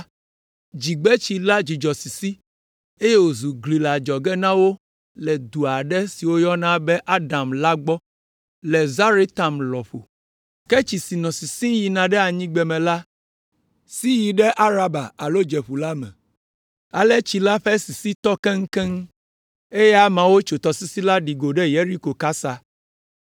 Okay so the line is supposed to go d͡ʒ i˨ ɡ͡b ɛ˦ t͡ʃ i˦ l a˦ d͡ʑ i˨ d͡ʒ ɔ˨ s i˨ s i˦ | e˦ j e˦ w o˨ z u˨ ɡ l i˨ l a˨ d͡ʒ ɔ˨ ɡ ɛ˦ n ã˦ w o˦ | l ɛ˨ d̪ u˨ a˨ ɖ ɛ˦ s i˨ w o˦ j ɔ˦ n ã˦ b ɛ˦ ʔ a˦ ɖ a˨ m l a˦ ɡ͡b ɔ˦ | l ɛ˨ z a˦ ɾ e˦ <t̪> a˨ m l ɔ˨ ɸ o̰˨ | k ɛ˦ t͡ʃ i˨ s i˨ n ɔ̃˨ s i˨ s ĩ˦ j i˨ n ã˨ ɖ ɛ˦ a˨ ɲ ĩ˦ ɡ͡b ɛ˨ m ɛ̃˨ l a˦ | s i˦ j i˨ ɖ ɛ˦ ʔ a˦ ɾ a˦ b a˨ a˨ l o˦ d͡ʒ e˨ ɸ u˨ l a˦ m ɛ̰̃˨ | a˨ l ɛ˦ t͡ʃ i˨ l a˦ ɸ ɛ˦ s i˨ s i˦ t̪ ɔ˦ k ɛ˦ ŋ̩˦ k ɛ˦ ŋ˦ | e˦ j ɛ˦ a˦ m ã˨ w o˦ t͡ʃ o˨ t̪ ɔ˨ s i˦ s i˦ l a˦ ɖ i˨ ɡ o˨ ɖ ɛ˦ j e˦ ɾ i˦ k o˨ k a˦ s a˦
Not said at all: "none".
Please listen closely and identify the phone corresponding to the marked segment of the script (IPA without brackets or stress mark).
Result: t̪